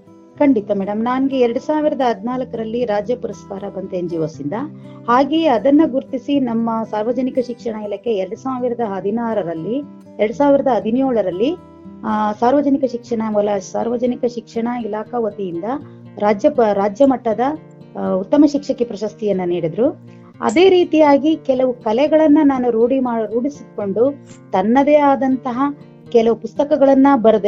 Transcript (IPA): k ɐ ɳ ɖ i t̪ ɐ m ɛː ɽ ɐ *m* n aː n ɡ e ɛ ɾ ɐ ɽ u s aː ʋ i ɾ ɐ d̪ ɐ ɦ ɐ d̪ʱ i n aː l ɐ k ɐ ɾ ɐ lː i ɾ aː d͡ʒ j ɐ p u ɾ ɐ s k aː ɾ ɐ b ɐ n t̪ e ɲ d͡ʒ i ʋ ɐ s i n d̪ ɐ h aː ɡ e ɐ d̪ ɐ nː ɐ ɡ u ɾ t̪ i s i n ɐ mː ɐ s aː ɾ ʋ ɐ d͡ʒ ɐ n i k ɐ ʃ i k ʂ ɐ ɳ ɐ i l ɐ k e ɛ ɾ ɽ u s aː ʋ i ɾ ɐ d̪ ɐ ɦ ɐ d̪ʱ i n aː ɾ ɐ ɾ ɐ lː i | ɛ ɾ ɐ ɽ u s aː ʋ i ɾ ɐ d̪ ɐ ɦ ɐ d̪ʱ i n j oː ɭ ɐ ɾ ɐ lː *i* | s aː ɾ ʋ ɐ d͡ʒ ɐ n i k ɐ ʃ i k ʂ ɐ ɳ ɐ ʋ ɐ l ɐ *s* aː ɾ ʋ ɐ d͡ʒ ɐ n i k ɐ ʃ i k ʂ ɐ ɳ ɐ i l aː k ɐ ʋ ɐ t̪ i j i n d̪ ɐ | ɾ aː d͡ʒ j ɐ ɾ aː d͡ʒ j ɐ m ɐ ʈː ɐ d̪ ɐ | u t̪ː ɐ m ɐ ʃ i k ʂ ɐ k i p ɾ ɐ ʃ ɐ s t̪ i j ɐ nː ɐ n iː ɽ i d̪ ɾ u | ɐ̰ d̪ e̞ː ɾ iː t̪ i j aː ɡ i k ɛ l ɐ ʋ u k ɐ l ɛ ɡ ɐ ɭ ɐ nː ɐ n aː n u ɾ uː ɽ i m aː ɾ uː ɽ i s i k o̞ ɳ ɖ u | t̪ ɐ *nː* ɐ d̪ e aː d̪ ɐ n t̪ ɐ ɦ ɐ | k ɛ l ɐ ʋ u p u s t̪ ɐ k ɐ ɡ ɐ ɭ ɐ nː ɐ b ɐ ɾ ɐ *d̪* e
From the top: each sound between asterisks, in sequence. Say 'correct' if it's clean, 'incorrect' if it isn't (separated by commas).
correct, correct, correct, correct, correct